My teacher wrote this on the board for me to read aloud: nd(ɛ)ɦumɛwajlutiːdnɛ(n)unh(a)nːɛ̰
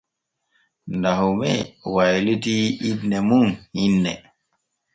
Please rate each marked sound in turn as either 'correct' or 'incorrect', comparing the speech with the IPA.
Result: incorrect: a, incorrect: m, incorrect: i

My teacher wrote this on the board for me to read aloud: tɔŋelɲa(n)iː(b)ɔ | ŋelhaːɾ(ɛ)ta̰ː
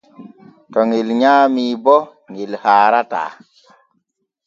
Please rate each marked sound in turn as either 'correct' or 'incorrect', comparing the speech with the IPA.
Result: incorrect: m, correct, incorrect: a

